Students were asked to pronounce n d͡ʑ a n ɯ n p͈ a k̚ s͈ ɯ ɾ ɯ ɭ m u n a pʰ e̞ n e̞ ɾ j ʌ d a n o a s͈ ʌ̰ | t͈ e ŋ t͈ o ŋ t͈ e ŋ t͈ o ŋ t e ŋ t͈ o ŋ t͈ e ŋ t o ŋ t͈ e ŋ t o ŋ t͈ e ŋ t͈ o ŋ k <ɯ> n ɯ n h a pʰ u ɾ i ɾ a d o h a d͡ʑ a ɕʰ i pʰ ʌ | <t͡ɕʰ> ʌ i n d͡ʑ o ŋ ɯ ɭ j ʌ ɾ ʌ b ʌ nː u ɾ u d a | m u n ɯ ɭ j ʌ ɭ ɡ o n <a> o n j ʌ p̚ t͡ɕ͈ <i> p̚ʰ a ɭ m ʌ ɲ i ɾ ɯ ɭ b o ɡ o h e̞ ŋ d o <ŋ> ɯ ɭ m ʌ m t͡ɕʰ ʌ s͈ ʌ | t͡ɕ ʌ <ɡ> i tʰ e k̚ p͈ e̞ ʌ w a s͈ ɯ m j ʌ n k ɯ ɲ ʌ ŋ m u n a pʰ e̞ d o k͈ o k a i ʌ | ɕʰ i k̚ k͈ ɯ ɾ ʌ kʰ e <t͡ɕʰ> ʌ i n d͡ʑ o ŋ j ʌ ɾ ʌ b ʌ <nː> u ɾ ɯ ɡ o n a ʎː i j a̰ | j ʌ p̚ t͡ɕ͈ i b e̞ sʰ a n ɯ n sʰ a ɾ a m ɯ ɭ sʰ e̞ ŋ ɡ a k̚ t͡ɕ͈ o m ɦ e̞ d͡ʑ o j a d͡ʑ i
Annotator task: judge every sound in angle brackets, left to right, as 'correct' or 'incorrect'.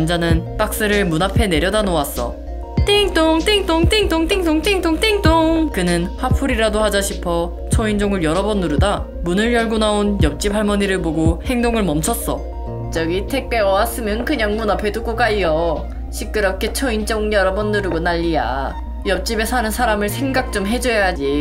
correct, correct, correct, correct, correct, correct, correct, correct

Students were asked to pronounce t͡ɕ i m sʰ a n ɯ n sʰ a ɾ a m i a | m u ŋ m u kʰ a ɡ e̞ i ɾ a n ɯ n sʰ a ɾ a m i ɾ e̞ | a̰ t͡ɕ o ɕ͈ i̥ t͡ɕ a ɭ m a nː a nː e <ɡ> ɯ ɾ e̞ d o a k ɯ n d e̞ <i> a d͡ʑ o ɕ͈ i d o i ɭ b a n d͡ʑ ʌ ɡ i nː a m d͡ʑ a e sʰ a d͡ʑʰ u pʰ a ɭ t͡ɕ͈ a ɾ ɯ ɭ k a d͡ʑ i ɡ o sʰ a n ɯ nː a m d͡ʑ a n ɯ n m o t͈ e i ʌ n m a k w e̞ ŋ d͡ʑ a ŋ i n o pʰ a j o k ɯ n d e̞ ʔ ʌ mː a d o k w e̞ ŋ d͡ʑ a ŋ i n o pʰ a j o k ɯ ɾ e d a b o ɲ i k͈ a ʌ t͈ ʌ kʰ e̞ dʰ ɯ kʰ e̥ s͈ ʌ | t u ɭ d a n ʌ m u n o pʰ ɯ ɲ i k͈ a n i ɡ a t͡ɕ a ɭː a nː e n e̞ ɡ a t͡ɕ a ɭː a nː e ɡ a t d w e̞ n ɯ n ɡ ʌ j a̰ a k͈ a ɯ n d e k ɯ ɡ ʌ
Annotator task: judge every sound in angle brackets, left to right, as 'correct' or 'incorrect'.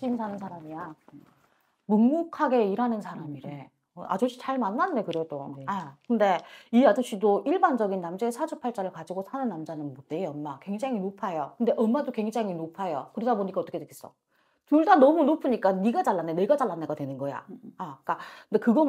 incorrect: k, correct

